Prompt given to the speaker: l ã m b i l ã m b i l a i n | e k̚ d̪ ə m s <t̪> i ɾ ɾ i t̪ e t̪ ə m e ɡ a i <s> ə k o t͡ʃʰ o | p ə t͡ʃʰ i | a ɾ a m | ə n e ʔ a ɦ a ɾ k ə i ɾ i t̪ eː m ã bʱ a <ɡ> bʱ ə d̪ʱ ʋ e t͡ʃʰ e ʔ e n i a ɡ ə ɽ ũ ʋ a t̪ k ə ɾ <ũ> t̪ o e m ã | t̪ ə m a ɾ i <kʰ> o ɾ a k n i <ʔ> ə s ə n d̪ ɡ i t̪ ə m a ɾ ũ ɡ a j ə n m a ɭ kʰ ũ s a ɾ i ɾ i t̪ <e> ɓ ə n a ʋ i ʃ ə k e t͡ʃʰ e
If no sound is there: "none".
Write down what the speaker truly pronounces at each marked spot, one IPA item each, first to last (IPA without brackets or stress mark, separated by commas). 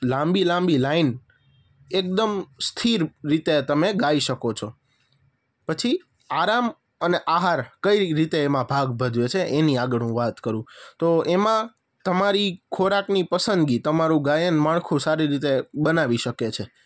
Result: t̪ʰ, ʃ, ɡ, ũ, kʰ, p, e